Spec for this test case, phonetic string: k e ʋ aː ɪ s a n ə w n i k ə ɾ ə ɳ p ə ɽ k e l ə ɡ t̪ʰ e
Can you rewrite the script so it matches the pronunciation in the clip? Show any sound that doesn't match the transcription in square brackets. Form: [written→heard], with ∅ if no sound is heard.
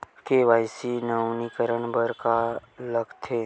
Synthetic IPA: k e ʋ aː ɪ s [a→i] n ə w n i k ə ɾ ə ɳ [p→b] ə [ɽ→ɾ] k [e→a] l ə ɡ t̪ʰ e